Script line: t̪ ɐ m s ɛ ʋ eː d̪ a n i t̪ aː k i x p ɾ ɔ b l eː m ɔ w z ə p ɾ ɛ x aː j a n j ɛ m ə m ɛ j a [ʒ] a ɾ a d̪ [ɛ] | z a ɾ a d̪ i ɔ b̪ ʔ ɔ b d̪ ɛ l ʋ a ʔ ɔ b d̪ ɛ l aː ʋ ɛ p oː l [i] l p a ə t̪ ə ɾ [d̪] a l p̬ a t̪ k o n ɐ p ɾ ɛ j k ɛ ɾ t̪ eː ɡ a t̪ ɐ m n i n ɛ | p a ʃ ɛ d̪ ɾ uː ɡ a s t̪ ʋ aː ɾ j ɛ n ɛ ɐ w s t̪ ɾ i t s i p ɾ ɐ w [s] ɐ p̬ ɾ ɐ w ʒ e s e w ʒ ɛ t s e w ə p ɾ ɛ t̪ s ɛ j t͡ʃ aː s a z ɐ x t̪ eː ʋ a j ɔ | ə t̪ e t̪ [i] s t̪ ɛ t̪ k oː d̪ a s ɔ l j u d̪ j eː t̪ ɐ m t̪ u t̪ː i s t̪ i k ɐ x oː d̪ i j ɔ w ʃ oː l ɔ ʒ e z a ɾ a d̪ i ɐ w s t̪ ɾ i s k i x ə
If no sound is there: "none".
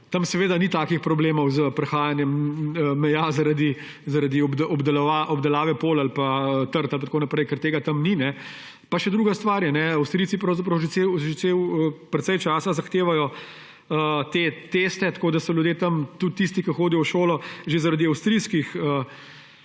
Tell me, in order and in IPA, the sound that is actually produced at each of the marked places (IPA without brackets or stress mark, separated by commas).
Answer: z, i, a, t̪, z, e